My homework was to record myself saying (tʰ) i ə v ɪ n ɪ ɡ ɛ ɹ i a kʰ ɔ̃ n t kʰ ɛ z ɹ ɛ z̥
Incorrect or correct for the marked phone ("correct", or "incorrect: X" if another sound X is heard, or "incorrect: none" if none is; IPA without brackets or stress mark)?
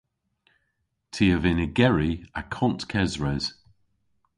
correct